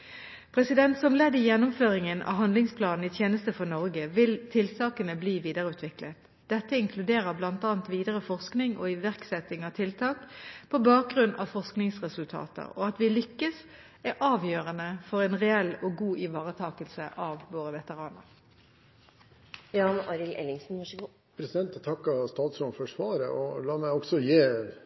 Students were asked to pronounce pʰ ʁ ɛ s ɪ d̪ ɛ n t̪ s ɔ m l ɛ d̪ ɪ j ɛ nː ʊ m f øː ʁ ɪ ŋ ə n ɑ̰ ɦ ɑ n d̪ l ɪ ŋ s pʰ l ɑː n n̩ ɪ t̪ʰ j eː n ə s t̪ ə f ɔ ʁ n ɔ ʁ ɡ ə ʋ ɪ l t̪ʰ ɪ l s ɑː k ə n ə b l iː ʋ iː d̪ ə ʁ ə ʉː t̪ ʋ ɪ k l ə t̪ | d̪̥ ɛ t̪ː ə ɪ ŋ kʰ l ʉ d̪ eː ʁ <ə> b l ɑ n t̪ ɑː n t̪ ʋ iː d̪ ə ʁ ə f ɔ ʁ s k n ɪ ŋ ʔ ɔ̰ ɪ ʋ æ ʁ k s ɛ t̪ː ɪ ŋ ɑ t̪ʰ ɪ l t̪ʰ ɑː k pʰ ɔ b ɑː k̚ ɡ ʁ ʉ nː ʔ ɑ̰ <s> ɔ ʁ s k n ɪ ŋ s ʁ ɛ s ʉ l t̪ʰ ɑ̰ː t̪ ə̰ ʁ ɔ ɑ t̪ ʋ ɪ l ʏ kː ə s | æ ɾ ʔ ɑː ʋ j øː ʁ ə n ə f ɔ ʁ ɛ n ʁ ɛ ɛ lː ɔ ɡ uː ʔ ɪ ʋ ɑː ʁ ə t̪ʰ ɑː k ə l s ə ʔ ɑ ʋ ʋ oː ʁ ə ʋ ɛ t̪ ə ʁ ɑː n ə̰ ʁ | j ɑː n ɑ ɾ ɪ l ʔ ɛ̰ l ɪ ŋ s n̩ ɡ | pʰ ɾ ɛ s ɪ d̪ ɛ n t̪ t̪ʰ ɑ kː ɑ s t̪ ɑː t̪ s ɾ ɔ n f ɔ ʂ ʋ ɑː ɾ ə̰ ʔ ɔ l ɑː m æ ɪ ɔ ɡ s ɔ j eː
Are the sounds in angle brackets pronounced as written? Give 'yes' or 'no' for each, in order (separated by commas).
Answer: yes, no